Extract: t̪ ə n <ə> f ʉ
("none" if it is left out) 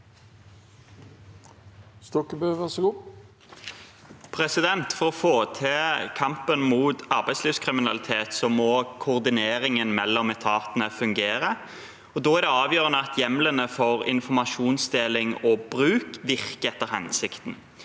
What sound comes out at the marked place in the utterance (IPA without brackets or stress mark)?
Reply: ə